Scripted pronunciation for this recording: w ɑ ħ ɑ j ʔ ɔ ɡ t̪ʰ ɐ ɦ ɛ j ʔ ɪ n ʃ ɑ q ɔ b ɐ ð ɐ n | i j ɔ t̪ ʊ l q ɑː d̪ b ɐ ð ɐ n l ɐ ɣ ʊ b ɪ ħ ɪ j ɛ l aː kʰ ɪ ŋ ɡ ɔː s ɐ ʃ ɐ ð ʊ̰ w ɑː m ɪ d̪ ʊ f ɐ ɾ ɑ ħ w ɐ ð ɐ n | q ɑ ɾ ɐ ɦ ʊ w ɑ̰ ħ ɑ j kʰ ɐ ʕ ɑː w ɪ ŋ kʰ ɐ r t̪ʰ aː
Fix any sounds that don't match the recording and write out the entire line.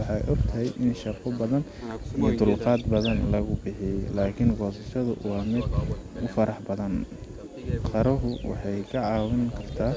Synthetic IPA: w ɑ ħ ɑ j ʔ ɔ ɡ t̪ʰ ɐ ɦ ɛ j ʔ ɪ n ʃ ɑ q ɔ b ɐ ð ɐ n | i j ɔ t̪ ʊ l q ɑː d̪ b ɐ ð ɐ n l ɐ ɣ ʊ b ɪ ħ ɪ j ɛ l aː kʰ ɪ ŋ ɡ ɔː s ɐ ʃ ɐ ð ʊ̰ w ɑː m ɪ d̪ ʊ f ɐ ɾ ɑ ħ b ɐ ð ɐ n | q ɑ ɾ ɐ ɦ ʊ w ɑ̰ ħ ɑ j kʰ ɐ ʕ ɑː w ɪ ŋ kʰ ɐ r t̪ʰ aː